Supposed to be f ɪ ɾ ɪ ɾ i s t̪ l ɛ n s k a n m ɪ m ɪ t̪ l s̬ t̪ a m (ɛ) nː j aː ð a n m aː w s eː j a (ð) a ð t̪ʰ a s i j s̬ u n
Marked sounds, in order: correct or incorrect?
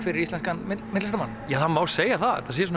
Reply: incorrect: a, incorrect: θ

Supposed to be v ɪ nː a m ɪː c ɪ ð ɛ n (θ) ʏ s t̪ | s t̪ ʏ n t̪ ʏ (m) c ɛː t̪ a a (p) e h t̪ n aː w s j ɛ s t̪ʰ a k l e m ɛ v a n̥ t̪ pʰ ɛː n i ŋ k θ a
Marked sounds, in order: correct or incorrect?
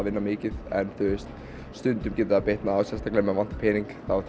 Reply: correct, correct, correct

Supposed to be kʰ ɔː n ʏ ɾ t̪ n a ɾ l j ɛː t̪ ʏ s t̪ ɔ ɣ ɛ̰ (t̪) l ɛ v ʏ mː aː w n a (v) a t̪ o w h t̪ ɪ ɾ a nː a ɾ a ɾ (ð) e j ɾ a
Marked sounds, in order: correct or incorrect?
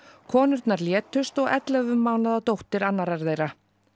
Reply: correct, incorrect: ð, correct

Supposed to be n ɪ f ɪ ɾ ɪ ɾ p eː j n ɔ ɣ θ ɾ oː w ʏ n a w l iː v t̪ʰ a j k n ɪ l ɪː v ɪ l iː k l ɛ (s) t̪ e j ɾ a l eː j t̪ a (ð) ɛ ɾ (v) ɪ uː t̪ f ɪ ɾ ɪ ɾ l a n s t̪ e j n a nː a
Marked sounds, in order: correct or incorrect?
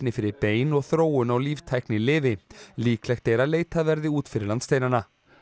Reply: incorrect: x, incorrect: v, incorrect: ð

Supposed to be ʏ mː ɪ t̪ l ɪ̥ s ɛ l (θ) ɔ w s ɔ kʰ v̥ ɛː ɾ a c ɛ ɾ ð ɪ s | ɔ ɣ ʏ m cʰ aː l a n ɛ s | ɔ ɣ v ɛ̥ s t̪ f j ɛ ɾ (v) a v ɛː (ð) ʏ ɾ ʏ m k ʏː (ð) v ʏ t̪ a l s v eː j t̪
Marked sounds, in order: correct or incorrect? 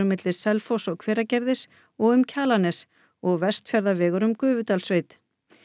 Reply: incorrect: f, incorrect: ð, incorrect: ɣ, incorrect: none

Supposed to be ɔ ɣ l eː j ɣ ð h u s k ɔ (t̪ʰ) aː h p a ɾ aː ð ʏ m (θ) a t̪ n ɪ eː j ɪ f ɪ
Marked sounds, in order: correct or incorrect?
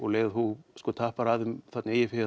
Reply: correct, correct

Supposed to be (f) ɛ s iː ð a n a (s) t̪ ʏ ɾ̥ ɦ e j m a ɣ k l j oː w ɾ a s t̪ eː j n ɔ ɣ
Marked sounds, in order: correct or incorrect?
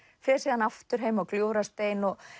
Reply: correct, incorrect: f

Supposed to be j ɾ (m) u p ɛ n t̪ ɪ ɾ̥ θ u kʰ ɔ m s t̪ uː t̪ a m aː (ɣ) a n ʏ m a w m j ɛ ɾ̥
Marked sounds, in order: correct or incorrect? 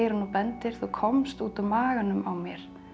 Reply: incorrect: n, correct

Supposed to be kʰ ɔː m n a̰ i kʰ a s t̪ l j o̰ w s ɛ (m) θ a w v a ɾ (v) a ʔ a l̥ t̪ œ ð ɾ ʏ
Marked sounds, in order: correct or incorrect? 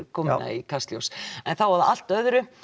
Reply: incorrect: n, incorrect: ð

